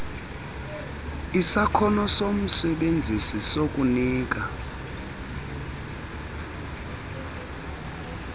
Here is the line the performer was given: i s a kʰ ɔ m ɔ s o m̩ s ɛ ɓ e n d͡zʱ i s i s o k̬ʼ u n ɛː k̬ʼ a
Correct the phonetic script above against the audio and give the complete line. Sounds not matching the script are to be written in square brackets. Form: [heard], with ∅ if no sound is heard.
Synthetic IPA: i s a kʰ ɔ [n] ɔ s o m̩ s ɛ ɓ e n d͡zʱ i s i s o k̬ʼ u n [iː] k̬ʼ a